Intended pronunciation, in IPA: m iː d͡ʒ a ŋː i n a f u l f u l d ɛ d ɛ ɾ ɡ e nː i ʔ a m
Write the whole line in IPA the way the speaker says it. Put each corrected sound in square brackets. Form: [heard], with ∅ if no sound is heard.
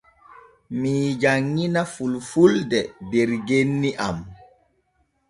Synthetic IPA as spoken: m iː d͡ʒ a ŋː i n a f u l f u l d ɛ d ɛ ɾ ɡ e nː i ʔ a m